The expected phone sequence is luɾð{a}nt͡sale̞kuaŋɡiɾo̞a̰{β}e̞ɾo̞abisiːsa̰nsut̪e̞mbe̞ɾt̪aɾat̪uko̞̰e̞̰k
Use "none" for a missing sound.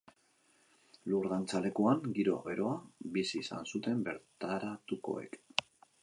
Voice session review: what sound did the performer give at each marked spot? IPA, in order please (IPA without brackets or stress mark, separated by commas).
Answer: a, β